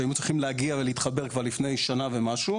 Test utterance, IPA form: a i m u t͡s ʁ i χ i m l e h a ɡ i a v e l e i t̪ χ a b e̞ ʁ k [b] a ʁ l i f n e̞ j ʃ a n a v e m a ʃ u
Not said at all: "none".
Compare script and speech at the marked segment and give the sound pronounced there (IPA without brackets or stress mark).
v